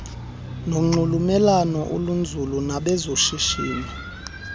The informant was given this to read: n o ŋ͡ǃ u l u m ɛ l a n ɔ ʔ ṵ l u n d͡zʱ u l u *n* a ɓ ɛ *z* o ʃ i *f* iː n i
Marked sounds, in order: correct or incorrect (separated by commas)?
correct, correct, incorrect